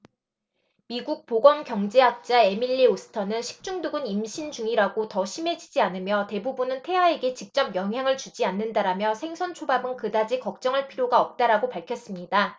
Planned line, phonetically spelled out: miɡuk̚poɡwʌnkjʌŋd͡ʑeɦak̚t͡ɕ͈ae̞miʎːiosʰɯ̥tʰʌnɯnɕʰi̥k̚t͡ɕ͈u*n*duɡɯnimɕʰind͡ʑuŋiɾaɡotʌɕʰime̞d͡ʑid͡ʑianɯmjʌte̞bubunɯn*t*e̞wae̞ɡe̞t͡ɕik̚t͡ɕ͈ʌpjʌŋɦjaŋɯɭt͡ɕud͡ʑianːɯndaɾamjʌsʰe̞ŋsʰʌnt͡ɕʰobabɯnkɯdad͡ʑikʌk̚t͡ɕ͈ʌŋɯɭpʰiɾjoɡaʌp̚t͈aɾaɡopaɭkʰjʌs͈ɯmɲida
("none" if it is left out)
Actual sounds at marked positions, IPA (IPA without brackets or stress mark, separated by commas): ŋ, tʰ